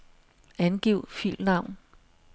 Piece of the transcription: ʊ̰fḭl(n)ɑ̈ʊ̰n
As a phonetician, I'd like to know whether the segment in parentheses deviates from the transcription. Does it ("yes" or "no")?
no